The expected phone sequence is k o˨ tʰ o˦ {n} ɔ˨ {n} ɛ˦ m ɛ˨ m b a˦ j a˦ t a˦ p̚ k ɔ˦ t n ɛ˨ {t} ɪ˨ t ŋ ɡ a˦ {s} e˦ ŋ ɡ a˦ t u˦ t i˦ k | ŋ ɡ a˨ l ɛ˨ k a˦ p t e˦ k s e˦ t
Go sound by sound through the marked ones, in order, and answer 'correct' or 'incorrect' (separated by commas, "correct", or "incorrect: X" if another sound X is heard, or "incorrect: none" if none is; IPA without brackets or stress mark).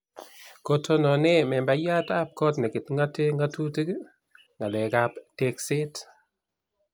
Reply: correct, correct, incorrect: k, incorrect: t